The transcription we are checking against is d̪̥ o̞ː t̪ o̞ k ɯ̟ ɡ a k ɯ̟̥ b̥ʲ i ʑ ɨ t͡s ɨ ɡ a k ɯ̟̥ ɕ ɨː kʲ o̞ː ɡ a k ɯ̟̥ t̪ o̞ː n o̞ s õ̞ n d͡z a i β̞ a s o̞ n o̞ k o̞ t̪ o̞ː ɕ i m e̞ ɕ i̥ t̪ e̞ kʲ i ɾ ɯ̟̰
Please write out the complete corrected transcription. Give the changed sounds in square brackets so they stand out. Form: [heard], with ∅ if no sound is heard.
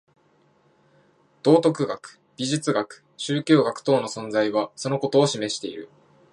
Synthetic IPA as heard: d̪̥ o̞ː t̪ o̞ k ɯ̟ ɡ a k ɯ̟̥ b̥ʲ i ʑ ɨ t͡s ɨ ɡ a k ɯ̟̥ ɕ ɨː kʲ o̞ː ɡ a k ɯ̟̥ t̪ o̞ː n o̞ s õ̞ n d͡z a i β̞ a s o̞ n o̞ k o̞ t̪ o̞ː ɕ i m e̞ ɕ i̥ t̪ e̞ [∅] i ɾ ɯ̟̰